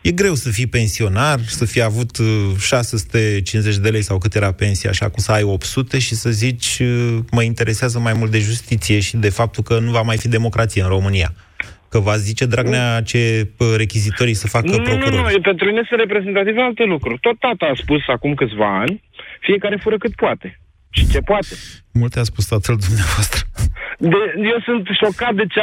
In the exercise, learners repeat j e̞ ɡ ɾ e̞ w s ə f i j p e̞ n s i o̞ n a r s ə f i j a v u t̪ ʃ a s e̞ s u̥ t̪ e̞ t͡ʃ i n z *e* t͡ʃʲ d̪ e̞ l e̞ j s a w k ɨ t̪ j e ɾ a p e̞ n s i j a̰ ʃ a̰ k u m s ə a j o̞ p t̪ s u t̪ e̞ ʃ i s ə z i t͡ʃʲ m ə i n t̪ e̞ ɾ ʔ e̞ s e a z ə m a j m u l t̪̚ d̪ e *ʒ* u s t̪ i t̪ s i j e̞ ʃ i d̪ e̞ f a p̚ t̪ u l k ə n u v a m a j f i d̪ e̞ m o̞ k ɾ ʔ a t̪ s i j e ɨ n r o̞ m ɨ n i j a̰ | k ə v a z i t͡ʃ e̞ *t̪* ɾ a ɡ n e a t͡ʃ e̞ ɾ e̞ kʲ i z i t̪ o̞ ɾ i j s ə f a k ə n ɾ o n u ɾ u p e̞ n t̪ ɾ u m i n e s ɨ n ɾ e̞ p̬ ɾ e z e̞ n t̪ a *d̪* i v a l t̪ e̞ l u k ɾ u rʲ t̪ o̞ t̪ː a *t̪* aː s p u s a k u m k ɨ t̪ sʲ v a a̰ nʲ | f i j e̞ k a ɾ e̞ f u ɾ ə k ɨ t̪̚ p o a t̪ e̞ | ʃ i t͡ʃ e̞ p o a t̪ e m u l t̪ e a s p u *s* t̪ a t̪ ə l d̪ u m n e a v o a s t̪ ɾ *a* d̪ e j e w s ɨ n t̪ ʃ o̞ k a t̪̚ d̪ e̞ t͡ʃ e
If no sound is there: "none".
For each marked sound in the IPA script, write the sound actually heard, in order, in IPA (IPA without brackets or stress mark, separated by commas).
e, ʒ, d̪, t̪, t̪, s, ə